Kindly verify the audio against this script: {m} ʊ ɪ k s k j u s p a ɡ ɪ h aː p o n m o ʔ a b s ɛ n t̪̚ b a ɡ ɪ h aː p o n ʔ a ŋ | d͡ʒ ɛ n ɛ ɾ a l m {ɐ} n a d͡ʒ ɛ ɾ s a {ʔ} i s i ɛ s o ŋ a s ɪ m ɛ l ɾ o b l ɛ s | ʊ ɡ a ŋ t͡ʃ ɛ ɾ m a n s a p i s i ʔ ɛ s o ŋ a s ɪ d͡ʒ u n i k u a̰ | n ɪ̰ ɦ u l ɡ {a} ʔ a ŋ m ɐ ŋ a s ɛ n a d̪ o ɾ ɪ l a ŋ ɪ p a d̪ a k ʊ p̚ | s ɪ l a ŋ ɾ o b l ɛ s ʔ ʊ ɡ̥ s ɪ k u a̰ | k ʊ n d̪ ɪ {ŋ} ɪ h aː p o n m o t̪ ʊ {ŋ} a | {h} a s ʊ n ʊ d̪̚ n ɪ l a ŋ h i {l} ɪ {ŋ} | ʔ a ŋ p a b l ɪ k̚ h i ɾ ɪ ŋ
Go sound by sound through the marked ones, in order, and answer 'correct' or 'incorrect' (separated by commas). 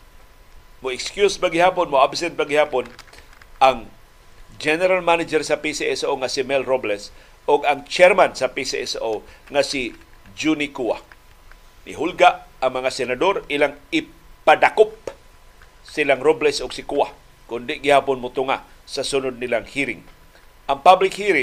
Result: correct, incorrect, incorrect, correct, incorrect, correct, incorrect, incorrect, correct